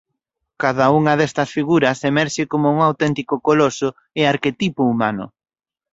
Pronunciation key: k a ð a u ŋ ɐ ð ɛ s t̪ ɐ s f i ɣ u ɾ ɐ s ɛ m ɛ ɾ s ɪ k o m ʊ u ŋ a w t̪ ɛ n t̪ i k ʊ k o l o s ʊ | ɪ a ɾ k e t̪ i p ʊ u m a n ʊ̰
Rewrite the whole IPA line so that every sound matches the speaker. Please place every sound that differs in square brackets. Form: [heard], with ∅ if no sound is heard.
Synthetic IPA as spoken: k a ð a u ŋ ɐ ð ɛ s t̪ ɐ s f i ɣ u ɾ ɐ s [e] m ɛ ɾ [ʃ] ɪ k o m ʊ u ŋ a w t̪ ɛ n t̪ i k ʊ k o l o s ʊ | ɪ a ɾ k e t̪ i p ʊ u m a n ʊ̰